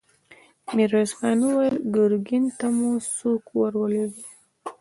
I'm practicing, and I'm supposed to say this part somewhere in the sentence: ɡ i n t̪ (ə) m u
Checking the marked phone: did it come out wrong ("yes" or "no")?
yes